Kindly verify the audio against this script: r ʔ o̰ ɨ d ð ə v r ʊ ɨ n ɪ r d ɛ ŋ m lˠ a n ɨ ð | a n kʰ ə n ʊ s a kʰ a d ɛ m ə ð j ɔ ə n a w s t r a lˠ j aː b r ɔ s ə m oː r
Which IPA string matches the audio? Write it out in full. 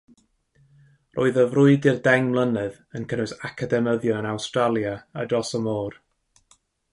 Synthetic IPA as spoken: r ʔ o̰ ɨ ð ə v r ʊ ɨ d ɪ r d ɛ ŋ m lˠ ə n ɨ ð | ə n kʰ ə n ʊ s a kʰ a d ɛ m ə ð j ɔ ə n a w s t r a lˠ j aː d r ɔ s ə m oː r

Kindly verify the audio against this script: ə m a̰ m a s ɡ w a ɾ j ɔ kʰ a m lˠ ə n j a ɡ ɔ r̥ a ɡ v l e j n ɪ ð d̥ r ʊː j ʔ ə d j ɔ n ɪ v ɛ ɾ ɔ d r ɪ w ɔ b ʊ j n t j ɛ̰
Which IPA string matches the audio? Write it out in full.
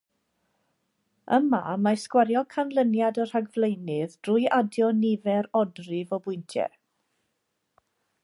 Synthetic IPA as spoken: ə m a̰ m a s k w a ɾ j ɔ kʰ a n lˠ ə n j a d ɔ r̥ a ɡ v l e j n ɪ ð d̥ r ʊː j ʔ a d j ɔ n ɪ v ɛ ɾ ɔ d r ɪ v ɔ b ʊ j n tʰ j ɛ̰

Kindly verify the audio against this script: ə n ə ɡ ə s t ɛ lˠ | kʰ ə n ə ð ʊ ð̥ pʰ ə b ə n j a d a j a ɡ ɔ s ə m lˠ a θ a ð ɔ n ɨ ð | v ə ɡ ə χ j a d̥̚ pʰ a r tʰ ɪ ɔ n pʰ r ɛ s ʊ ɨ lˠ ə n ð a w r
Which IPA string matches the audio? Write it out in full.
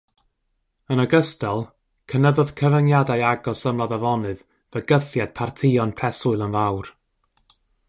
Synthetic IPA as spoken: ə n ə ɡ ə s t ɛ lˠ | kʰ ə n ə ð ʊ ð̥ kʰ ə v ə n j a d a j a ɡ ɔ s ə m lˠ a ð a v ɔ n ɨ ð | v ə ɡ ə θ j a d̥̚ pʰ a r tʰ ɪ ɔ n pʰ r ɛ s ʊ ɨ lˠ ə n v a w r

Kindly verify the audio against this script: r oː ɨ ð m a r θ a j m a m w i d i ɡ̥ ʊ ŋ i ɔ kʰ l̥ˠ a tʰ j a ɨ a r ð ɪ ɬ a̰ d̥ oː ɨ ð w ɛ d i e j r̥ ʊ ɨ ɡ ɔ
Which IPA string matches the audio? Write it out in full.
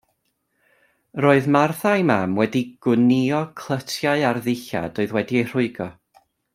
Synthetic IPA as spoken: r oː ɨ ð m a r θ a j m a m w ɛ d i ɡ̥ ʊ n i ɔ kʰ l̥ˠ ə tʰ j a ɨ a r ð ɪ ɬ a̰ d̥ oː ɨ ð w ɛ d i e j r̥ ʊ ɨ ɡ ɔ

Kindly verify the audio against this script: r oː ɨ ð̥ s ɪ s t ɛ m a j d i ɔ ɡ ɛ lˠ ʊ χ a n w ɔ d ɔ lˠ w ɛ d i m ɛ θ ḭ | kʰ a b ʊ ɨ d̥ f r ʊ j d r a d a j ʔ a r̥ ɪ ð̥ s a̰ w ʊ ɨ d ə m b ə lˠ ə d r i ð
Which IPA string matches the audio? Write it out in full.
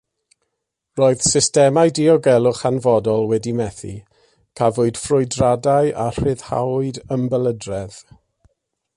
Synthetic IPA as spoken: r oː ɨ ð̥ s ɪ s t ɛ m a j d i ɔ ɡ ɛ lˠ ʊ χ a n v ɔ d ɔ lˠ w ɛ d i m ɛ θ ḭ | kʰ a v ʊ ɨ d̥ f r ʊ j d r a d a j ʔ a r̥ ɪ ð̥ h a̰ w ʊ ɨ d ə m b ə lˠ ə d r ɛ ð

